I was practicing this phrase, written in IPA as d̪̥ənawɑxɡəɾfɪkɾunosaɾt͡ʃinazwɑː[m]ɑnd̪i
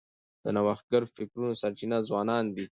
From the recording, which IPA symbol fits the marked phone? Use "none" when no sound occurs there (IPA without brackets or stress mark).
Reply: n